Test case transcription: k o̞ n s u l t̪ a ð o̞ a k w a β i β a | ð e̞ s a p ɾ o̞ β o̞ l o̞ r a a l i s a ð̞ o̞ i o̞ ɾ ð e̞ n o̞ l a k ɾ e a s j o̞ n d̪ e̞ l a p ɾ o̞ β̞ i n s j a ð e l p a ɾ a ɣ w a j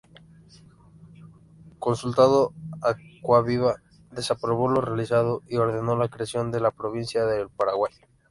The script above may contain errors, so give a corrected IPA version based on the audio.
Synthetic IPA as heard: k o̞ n s u l t̪ a ð o̞ a k w a β i β a | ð e̞ s a p ɾ o̞ β o̞ l o̞ r e a l i s a ð̞ o̞ i o̞ ɾ ð e̞ n o̞ l a k ɾ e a s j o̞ n d̪ e̞ l a p ɾ o̞ β̞ i n s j a ð e l p a ɾ a ɣ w a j